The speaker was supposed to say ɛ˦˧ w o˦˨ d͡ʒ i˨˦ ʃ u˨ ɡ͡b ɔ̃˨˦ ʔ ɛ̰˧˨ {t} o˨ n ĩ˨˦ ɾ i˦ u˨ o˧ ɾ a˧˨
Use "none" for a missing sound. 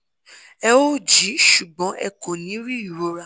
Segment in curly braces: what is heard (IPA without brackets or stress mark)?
k